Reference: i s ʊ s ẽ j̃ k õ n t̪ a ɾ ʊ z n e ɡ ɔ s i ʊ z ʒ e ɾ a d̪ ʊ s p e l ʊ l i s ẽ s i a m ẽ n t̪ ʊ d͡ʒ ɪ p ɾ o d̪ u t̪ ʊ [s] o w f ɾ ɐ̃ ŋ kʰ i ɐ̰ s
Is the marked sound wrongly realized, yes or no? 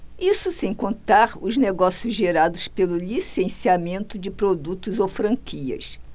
yes